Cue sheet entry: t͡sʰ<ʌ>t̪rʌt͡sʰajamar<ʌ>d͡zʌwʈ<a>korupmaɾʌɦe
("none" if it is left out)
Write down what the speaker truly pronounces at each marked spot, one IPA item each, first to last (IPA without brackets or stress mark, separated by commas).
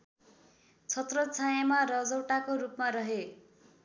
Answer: ʌ, ʌ, a